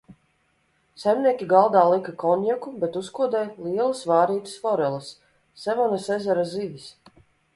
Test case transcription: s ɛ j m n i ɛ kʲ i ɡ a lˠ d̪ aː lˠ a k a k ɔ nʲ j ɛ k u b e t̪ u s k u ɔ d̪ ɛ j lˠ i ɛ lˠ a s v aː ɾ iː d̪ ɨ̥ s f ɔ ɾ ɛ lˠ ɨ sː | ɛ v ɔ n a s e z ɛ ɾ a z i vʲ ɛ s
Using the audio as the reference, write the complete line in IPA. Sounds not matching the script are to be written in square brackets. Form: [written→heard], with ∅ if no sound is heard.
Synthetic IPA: s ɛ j m n i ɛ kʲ i ɡ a lˠ d̪ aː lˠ [a→i] k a k ɔ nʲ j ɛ k u b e t̪ u s k u ɔ d̪ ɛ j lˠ i ɛ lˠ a s v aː ɾ iː [d̪→t̪] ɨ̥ s f ɔ ɾ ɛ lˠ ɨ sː | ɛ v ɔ n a s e z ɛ ɾ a z i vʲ [ɛ→i] s